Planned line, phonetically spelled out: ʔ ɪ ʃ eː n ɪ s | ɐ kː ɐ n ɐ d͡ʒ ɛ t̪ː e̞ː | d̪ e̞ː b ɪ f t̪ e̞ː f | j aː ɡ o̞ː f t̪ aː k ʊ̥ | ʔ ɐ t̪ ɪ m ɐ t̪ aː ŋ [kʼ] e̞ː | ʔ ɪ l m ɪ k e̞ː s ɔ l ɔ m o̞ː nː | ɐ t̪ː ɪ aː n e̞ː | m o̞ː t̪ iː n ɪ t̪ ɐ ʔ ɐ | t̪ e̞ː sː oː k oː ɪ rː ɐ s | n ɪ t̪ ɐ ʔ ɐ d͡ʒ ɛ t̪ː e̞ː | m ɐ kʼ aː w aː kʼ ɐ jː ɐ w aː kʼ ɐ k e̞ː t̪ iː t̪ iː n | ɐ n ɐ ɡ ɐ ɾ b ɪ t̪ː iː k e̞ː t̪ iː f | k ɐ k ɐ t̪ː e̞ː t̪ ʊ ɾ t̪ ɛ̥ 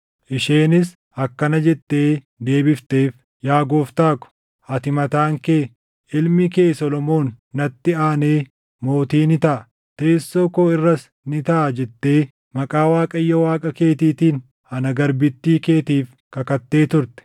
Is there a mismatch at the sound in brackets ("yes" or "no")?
yes